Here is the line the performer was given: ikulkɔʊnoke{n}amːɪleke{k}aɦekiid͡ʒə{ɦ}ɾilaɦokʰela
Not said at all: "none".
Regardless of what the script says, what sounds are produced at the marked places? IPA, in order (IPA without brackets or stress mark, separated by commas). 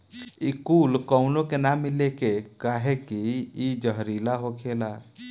n, k, ɦ